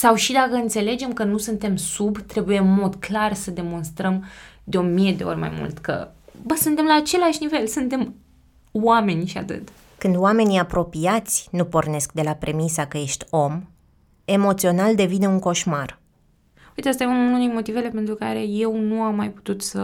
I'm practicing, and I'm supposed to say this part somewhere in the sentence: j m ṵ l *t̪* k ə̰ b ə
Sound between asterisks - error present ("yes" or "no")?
no